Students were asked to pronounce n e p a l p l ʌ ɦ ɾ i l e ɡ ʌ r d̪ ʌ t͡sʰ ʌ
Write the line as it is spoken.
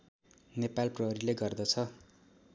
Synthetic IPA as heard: n e p a l p r ʌ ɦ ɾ i l e ɡ ʌ r d̪ ʌ t͡sʰ ʌ